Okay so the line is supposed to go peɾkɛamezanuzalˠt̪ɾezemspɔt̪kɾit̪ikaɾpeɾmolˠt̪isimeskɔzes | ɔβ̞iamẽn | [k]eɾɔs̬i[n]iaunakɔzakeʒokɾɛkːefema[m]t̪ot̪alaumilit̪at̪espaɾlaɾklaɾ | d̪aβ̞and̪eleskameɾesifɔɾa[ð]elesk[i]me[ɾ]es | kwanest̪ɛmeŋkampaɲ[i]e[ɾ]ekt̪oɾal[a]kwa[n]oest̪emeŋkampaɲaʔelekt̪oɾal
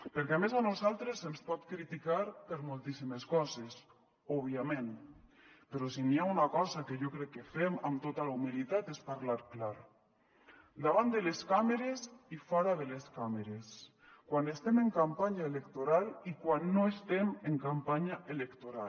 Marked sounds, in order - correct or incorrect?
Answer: incorrect: p, correct, correct, correct, incorrect: a, correct, incorrect: a, incorrect: l, incorrect: i, incorrect: nː

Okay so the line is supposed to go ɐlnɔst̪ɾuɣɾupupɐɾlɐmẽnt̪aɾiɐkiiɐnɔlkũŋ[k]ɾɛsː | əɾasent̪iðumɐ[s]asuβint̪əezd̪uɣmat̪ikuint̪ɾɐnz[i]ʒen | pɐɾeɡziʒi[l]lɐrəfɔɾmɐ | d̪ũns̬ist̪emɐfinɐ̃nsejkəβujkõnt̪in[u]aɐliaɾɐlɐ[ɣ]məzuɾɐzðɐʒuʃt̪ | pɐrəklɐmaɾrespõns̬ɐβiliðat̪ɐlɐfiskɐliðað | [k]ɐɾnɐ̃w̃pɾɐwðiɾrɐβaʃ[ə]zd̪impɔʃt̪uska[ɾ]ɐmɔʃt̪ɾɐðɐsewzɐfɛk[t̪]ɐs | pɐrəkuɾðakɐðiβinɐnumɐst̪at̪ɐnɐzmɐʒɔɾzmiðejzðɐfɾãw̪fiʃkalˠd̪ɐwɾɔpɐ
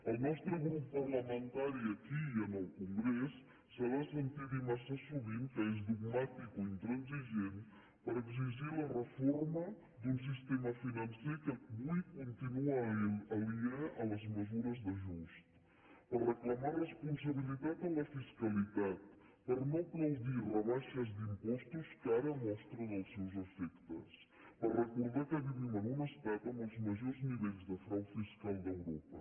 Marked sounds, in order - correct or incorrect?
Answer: incorrect: ɡ, correct, correct, incorrect: ɾ, correct, incorrect: z, incorrect: p, incorrect: ɐ, correct, correct

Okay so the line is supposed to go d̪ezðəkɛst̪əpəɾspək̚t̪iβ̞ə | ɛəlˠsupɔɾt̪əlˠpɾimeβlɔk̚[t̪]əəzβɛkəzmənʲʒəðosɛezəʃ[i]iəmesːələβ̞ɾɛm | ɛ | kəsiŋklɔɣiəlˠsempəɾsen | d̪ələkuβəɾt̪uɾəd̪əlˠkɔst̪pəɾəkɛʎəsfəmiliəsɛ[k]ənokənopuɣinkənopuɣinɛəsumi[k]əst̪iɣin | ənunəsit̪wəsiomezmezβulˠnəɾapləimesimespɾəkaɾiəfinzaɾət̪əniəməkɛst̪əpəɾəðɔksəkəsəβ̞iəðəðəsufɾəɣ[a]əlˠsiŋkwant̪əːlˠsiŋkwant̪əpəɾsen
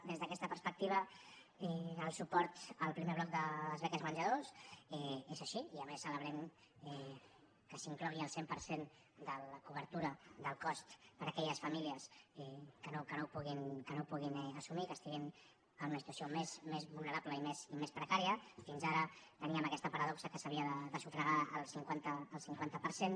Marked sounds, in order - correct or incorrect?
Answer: incorrect: d̪, correct, correct, correct, correct

